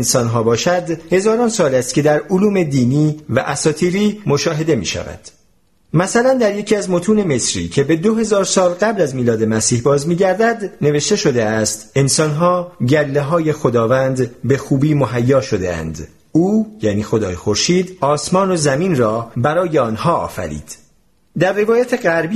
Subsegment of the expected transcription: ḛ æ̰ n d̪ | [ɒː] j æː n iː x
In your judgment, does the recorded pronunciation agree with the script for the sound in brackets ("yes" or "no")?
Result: no